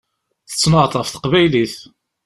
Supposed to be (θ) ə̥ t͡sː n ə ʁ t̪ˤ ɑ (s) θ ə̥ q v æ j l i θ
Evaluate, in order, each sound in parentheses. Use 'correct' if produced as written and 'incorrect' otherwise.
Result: correct, incorrect

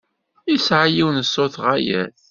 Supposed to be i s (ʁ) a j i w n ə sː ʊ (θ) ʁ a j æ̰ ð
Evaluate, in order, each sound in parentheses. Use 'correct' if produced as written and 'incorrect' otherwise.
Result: incorrect, correct

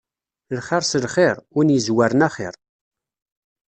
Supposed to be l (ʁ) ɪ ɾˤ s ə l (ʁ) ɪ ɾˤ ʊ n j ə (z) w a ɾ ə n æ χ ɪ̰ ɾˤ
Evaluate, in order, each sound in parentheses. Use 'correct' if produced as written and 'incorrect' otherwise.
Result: incorrect, incorrect, correct

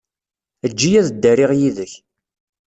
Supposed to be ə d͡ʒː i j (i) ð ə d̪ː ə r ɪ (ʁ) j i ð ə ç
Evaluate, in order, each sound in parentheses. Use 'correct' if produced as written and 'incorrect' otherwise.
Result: incorrect, correct

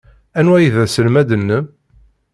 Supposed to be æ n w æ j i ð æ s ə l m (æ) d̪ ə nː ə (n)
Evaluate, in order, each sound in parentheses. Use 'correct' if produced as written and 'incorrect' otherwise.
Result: correct, incorrect

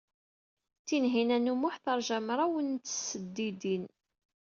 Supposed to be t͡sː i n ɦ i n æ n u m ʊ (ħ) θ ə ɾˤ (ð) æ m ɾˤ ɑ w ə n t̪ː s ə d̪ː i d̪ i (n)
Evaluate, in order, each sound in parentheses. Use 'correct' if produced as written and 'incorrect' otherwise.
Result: correct, incorrect, correct

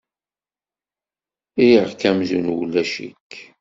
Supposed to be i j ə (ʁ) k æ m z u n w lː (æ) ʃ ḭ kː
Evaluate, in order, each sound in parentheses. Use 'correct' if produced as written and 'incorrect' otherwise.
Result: correct, correct

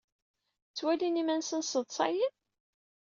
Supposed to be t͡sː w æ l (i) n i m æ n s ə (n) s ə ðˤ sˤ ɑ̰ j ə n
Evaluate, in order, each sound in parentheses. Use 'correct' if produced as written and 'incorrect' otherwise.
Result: correct, correct

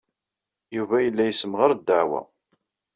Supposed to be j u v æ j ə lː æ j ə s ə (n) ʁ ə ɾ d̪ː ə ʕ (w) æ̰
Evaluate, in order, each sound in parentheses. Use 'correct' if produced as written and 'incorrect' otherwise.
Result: incorrect, correct

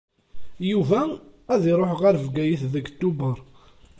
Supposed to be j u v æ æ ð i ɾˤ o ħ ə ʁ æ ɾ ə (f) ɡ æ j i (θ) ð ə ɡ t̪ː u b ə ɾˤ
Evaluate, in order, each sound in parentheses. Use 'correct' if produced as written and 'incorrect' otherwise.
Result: incorrect, correct

